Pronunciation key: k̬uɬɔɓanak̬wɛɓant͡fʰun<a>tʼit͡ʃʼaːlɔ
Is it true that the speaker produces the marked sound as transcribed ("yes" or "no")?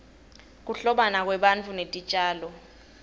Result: no